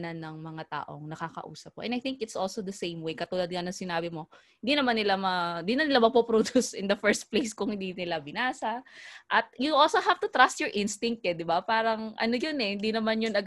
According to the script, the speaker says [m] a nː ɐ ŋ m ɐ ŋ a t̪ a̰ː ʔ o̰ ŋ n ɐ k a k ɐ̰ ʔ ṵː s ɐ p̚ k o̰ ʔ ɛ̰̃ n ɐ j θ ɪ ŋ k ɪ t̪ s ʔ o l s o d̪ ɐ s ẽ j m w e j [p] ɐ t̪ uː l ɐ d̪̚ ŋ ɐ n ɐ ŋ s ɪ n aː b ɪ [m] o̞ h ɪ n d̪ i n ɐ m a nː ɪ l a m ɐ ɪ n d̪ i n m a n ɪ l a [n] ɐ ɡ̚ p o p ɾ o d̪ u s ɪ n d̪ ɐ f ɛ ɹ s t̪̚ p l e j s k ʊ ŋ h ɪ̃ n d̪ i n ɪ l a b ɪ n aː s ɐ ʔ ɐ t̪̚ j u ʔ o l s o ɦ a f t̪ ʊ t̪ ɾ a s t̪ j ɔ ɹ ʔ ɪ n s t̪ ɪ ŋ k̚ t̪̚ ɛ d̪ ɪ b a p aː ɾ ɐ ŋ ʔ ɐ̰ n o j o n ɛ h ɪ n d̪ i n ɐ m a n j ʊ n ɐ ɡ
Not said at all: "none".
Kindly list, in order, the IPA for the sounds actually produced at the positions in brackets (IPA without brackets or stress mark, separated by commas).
n, k, m, m